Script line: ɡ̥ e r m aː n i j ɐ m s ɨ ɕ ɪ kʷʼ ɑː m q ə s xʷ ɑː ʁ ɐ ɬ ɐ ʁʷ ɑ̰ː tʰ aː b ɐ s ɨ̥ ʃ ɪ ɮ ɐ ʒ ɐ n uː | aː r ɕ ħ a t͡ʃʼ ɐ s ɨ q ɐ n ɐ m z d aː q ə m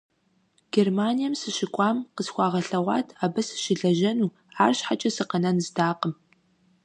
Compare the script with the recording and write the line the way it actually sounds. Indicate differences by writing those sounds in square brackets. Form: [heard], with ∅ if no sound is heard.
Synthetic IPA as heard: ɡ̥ e r m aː n i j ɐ m s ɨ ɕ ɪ kʷʼ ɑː m q ə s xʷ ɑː ʁ ɐ ɬ ɐ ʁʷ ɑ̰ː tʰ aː b ɐ s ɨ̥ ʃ ɪ ɮ ɐ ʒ ɐ n uː | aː r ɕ ħ a t͡ʃʼ ɐ s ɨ q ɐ n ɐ [n] z d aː q ə m